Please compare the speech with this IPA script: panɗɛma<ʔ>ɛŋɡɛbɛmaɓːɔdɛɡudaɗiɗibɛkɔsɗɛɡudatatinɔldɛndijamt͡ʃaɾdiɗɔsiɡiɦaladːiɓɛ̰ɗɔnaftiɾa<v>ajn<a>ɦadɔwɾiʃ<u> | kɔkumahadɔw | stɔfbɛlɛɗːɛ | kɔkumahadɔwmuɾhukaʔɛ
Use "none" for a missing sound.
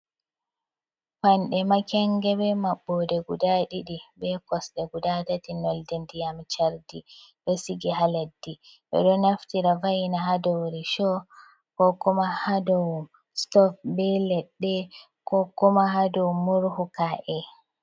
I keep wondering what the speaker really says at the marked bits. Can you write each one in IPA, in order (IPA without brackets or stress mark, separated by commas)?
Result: k, v, a, ɔ